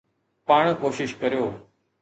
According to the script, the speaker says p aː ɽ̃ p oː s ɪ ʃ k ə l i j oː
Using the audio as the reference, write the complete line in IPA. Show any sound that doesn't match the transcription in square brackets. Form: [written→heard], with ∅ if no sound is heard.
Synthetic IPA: p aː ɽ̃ [p→k] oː [s→ʃ] ɪ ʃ k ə [l→ɾ] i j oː